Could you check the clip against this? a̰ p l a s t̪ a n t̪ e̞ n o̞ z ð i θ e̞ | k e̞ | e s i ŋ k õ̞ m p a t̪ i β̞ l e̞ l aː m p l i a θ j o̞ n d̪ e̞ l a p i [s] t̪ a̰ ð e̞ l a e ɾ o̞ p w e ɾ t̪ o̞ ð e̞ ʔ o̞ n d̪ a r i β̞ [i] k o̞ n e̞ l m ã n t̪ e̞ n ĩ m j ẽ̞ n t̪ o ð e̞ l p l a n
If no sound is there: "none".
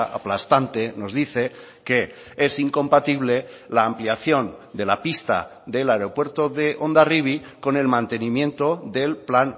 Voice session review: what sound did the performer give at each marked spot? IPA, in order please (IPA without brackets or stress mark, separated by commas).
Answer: s, i